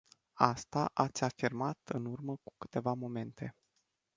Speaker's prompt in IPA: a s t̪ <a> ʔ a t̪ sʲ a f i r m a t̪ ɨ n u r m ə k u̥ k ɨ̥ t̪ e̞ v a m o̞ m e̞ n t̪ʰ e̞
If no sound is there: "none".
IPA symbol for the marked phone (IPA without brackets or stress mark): a